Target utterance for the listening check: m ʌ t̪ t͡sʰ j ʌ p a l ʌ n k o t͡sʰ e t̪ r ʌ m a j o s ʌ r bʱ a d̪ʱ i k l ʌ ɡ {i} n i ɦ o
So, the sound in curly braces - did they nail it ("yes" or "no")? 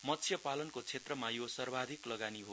no